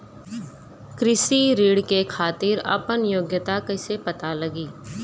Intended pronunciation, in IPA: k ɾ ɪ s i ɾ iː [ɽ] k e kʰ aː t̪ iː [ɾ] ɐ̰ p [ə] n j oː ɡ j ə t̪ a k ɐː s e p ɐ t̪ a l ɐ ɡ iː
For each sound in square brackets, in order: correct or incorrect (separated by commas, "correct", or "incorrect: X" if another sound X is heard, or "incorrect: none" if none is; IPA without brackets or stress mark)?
correct, correct, correct